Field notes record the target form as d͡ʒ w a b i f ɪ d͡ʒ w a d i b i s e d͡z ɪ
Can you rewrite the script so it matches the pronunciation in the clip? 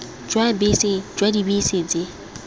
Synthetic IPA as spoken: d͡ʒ w a b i s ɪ d͡ʒ w a d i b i s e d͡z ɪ